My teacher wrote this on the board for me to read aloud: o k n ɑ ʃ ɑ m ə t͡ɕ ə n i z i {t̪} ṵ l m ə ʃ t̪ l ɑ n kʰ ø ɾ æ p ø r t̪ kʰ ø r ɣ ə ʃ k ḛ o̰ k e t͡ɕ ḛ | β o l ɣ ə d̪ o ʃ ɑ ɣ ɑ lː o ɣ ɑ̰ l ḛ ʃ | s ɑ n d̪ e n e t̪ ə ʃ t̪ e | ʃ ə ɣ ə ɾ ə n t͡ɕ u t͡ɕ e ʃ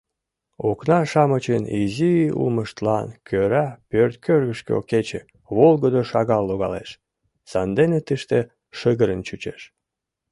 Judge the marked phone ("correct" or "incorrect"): incorrect